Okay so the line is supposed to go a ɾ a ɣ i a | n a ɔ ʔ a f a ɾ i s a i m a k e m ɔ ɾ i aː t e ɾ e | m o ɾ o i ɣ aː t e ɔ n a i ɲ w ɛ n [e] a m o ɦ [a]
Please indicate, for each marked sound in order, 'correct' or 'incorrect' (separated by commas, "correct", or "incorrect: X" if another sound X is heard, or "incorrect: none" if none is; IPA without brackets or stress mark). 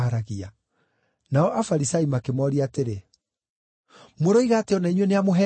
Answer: correct, incorrect: ɛ